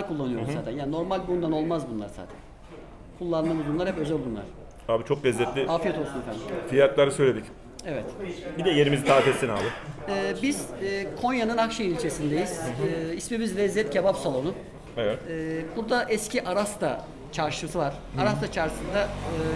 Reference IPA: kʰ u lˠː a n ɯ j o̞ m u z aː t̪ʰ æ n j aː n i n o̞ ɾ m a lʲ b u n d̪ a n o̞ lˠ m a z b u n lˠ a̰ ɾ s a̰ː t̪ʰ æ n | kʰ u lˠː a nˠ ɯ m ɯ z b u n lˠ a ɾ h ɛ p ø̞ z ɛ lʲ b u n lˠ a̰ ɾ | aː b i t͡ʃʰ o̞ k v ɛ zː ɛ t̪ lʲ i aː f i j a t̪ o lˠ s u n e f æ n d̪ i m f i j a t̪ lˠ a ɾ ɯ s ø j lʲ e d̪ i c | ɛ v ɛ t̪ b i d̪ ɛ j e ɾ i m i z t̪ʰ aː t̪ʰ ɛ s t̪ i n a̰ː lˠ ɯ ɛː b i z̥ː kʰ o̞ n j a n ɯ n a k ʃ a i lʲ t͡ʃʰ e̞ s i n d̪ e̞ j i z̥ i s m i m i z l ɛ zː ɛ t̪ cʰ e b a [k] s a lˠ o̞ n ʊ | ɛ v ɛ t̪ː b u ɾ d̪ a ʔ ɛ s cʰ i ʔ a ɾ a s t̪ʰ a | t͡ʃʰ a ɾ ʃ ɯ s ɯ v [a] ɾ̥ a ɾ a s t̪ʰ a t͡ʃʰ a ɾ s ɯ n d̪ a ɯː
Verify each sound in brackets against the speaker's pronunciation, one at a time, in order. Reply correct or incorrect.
incorrect, correct

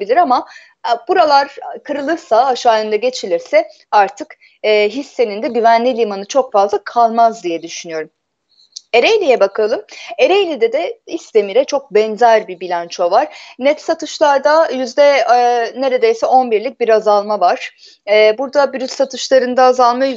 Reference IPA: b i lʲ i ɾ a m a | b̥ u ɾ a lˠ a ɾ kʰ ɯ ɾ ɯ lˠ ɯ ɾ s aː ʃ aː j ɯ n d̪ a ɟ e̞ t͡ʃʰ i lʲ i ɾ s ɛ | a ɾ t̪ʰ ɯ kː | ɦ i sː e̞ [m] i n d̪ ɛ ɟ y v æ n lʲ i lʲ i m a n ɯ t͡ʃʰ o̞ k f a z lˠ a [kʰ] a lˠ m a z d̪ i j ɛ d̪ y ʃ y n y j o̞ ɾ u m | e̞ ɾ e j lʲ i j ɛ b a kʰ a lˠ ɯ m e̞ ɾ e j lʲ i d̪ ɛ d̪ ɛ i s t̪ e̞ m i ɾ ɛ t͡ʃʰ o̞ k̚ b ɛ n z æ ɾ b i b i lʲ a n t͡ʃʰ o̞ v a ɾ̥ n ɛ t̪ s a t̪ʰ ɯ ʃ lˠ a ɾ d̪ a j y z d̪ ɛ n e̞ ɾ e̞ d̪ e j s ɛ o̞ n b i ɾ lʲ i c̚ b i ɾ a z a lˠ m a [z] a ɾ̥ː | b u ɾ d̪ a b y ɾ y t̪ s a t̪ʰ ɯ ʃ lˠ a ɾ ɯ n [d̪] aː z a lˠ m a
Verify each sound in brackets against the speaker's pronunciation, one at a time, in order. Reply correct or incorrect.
incorrect, correct, incorrect, correct

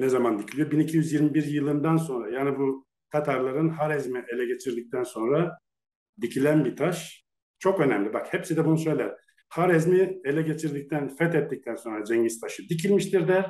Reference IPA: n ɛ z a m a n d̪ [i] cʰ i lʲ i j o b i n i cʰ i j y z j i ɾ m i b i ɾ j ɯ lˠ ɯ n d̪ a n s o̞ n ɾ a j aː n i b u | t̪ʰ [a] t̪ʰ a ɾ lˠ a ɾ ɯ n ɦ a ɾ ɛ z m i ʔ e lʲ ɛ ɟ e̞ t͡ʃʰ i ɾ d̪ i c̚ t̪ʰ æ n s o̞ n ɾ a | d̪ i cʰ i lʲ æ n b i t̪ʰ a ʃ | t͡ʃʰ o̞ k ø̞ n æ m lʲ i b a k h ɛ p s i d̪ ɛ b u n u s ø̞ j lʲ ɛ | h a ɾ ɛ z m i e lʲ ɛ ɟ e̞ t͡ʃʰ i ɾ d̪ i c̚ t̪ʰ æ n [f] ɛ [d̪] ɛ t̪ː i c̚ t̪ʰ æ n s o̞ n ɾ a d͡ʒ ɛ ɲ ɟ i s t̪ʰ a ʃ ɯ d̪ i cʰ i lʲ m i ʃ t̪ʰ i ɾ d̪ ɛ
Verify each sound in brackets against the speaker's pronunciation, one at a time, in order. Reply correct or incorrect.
correct, correct, correct, incorrect

